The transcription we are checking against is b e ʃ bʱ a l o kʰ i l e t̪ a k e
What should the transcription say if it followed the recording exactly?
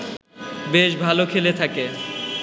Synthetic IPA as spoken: b e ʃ bʱ a l o kʰ e l e t̪ʰ a k e